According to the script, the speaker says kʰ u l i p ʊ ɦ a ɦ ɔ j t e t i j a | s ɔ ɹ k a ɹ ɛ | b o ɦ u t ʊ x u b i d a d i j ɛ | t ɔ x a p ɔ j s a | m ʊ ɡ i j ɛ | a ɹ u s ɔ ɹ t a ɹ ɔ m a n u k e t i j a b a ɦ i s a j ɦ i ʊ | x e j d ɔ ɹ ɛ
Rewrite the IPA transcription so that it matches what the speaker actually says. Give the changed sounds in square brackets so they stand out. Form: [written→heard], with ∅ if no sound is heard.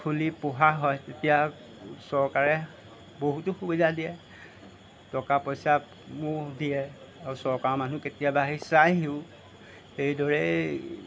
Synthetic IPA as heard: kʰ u l i p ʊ ɦ a ɦ ɔ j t e t i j a | s ɔ ɹ k a ɹ ɛ | b o ɦ u t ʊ x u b i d a d i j ɛ | t ɔ [x→k] a p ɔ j s a | m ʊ [ɡ→d] i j ɛ | a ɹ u s ɔ ɹ [t→k] a ɹ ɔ m a n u k e t i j a b a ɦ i s a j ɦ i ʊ | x e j d ɔ ɹ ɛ